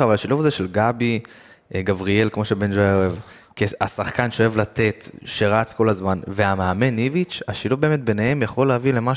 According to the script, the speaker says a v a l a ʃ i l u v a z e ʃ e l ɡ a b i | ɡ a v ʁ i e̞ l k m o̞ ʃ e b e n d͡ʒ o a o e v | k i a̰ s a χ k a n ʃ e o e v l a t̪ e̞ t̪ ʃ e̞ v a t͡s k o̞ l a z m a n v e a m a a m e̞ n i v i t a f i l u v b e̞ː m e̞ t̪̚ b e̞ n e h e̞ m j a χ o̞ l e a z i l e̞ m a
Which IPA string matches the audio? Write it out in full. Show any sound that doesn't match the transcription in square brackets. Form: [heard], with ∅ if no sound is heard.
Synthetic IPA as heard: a v a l a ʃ i l u v a z e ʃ e l ɡ a b i | ɡ a v ʁ i e̞ l k m o̞ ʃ e b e n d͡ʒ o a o e v | k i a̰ s a χ k a n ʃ e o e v l a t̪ e̞ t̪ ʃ e̞ [ʁ] a t͡s k o̞ l a z m a n v e a m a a m e̞ n i v i [t͡ʃ] a [ʃ] i l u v b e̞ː m e̞ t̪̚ b e̞ n e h e̞ m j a χ o̞ l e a [v] i l e̞ m a